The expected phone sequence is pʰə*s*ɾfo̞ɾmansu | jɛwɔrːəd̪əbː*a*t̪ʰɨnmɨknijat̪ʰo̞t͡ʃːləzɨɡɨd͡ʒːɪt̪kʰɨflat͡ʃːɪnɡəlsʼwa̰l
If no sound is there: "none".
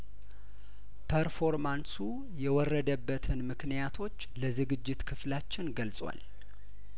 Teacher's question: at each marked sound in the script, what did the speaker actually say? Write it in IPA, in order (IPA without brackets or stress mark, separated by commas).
none, ə